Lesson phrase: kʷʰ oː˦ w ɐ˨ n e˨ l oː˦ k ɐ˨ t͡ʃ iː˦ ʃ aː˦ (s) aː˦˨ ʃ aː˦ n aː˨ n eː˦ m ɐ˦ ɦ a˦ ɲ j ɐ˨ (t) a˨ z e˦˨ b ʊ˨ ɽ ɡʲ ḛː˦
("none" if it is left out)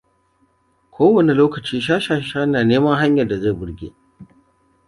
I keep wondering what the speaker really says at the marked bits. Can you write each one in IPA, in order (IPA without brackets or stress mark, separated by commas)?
ʃ, d